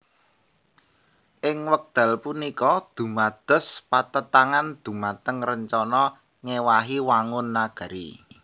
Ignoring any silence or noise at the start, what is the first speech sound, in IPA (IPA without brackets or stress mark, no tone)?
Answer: ʔ